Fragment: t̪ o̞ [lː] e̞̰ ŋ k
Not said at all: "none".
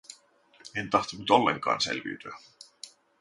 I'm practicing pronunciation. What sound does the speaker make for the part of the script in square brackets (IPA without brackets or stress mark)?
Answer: lː